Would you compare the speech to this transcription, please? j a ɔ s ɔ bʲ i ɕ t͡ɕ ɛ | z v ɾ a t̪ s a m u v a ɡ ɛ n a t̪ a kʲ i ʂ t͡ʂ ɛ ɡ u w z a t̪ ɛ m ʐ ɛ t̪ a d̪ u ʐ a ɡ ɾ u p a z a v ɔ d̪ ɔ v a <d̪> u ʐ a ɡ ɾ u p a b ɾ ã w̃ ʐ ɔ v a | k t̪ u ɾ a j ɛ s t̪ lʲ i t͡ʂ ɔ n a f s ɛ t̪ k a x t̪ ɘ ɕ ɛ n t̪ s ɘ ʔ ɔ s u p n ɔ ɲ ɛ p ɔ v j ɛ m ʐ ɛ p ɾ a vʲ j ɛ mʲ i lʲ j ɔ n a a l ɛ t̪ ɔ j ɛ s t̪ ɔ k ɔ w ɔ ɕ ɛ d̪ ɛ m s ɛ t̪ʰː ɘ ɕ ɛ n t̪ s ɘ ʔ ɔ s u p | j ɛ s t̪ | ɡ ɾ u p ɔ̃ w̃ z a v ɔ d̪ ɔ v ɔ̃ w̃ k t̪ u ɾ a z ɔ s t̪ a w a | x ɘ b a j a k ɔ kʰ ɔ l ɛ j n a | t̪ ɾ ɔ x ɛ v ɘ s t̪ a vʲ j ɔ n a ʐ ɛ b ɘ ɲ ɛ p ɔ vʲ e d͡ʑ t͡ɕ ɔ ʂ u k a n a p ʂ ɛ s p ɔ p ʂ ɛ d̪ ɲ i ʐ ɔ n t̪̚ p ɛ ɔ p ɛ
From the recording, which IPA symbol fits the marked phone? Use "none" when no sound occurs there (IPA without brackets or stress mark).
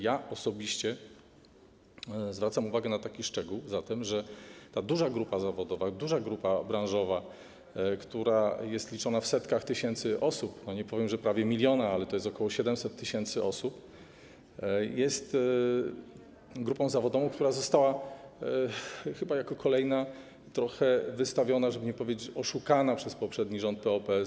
d̪